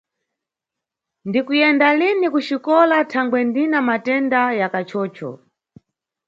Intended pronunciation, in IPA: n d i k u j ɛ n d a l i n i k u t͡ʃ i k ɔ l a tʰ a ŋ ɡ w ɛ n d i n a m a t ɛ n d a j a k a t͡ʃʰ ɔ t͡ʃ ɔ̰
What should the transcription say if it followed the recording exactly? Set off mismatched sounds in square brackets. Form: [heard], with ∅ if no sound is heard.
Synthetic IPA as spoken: n d i k u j ɛ n d a l i n i k u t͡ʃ i k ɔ l a tʰ a ŋ ɡ w ɛ n d i n a m a t ɛ n d a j a k a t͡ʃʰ [ɔː] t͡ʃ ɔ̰

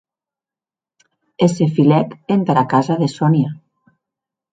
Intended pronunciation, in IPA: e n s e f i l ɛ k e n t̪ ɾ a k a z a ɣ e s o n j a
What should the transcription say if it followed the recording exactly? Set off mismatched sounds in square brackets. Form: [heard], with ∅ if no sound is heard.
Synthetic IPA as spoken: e [∅] s e f i l ɛ k e n t̪ ɾ a k a z a [ð] e s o n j a

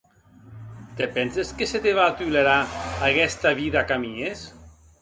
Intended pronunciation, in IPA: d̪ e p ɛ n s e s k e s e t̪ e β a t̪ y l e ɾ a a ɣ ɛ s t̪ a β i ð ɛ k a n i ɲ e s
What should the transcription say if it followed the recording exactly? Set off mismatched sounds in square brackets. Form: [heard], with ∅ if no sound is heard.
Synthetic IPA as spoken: [t̪] e p ɛ n s e s k e s e t̪ e β a t̪ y l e ɾ a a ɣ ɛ s t̪ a β i ð [a] k a [m] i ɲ e s

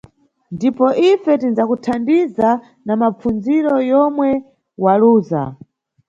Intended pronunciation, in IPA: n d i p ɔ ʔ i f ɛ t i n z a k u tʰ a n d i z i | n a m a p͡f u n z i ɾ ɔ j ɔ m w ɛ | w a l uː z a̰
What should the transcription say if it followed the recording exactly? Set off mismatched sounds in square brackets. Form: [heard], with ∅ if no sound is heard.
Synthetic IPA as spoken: n d i p ɔ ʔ i f ɛ t i n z a k u tʰ a n d i z [a] | n a m a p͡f u n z i ɾ ɔ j ɔ m w ɛ | w a l uː z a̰

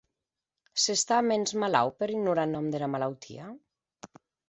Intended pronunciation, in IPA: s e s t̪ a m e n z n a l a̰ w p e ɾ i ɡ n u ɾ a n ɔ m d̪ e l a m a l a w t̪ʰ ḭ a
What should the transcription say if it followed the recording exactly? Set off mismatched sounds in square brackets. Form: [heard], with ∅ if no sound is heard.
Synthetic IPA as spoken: s e s t̪ a m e n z [m] a l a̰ w p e ɾ i ɡ n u ɾ a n ɔ m d̪ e l a m a l a w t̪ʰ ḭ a

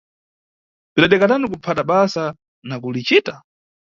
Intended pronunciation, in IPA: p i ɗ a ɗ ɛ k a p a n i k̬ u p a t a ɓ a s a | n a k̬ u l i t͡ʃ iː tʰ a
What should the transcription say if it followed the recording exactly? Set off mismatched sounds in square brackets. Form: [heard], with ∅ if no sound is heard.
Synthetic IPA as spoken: p i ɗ a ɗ ɛ k a [t] a n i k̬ u [pʰ] a t a ɓ a s a | n a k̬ u l i t͡ʃ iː [t] a

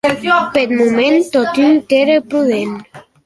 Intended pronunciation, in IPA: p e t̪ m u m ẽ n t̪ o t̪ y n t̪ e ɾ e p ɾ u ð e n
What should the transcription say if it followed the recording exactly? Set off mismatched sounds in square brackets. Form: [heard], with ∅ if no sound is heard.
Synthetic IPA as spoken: p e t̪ m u m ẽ n t̪ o t̪ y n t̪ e ɾ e p ɾ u ð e n

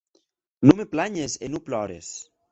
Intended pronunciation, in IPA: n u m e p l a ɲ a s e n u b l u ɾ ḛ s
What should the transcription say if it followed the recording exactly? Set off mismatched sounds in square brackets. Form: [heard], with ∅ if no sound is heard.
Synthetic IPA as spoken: n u m e p l a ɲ [e] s e n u [p] l [ɔ] ɾ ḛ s

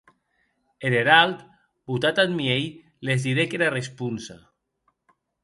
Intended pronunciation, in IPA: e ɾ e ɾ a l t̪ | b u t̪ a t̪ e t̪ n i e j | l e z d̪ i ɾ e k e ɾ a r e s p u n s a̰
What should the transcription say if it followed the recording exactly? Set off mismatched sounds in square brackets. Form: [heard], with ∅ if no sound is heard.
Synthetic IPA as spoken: e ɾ e ɾ a l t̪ | b u t̪ a t̪ [a] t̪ [m] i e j | l e z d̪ i ɾ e k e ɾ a r e s p u n s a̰

